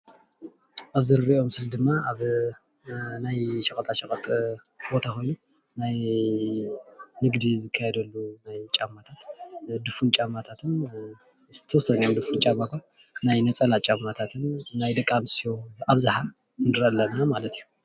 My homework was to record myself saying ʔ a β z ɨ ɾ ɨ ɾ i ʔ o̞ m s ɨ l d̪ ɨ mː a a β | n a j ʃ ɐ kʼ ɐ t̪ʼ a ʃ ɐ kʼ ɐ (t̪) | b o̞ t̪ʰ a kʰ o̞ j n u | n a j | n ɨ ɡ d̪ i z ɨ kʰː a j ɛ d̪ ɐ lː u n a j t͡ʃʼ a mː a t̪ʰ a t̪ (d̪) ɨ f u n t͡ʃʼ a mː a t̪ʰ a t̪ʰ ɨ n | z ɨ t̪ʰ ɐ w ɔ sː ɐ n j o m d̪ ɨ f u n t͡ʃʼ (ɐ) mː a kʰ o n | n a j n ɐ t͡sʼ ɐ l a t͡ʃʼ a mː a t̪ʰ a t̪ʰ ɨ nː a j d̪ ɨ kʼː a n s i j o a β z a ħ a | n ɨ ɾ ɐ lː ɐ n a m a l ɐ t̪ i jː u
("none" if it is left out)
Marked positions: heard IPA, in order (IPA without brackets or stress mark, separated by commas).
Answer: t̪ʼ, d̪, a